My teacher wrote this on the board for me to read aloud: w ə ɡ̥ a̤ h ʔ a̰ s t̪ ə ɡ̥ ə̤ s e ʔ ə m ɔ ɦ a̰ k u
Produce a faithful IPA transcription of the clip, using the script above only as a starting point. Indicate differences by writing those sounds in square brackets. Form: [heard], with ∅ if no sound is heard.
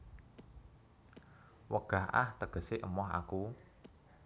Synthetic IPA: w ə ɡ̥ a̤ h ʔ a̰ [h] t̪ ə ɡ̥ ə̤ s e ʔ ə m ɔ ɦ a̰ k u